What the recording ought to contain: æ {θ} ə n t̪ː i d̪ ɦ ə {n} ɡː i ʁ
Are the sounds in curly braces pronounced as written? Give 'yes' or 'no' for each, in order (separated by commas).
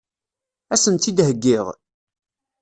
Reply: no, no